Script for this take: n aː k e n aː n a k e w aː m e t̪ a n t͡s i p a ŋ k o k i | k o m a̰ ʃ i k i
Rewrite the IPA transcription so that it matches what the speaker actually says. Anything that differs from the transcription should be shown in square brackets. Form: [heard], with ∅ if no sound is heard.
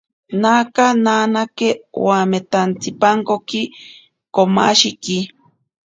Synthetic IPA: n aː k [a] n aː n a k e w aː m e t̪ a n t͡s i p a ŋ k o k i | k o m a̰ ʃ i k i